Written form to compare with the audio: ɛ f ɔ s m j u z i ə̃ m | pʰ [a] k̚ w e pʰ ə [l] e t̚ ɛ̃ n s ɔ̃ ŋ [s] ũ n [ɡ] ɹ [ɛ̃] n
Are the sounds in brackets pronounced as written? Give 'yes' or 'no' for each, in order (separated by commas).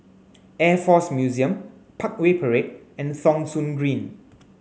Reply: yes, no, yes, yes, no